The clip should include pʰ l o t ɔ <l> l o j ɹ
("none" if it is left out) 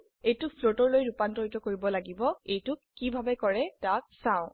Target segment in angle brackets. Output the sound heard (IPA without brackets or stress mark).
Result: ɹ